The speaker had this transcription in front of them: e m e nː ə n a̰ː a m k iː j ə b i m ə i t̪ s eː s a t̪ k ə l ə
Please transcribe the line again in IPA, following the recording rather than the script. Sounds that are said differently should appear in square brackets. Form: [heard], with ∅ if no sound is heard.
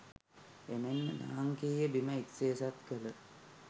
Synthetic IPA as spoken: e m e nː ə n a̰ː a [ŋ] k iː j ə b i m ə i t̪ s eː s a t̪ k ə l ə